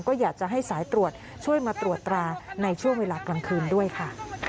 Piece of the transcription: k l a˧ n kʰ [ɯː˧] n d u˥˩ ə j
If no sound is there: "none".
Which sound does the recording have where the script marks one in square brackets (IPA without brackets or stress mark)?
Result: ɯː˧